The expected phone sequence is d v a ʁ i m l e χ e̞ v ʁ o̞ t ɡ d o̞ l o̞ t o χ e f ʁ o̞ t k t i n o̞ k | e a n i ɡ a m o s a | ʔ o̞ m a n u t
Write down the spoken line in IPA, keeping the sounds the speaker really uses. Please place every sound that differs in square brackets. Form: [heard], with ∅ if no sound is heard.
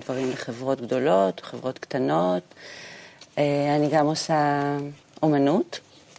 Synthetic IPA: d v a ʁ i m l e χ e̞ v ʁ o̞ t ɡ d o̞ l o̞ t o χ e [v] ʁ o̞ t k t [a] n o̞ [t] | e a n i ɡ a m o s a | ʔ o̞ m a n u t